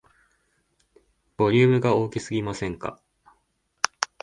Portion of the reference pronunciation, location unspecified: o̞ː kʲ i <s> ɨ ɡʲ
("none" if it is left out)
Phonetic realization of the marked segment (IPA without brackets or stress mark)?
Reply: s